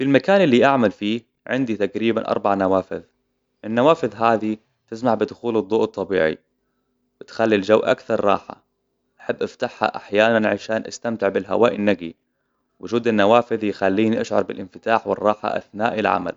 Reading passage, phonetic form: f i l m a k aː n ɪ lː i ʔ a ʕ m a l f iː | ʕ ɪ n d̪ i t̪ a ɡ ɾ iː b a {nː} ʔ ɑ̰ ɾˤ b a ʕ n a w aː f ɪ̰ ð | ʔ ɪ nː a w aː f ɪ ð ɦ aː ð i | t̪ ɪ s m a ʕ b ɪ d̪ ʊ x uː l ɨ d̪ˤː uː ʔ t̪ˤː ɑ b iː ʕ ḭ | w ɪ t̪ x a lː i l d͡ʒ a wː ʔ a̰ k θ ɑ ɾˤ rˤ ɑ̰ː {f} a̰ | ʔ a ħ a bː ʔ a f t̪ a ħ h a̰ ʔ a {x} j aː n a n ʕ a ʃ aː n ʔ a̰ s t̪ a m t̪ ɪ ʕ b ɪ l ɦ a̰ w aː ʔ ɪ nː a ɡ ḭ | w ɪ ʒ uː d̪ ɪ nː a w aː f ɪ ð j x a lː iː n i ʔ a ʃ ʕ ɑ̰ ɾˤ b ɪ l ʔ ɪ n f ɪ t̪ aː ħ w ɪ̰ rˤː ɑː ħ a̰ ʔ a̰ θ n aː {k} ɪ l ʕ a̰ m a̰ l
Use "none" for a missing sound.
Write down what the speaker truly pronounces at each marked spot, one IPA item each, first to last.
n, ħ, ħ, ʔ

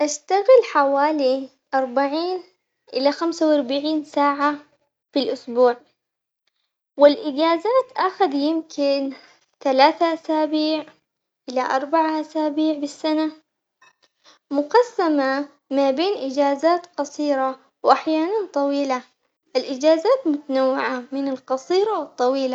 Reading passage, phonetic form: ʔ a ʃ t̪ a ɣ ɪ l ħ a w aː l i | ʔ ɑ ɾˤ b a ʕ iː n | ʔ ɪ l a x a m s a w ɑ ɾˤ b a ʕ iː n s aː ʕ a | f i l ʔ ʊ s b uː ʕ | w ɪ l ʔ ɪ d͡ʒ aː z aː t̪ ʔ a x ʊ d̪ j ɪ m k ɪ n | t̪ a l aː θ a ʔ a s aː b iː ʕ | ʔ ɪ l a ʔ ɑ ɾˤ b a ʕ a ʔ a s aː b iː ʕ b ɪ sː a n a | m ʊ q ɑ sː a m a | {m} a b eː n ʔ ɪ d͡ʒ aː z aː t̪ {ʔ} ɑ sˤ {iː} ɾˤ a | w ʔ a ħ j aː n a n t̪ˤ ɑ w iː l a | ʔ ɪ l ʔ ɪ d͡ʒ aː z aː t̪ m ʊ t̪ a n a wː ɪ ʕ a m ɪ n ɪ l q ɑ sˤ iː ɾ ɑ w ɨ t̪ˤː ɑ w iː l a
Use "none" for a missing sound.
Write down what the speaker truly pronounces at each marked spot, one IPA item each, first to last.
m, q, iː

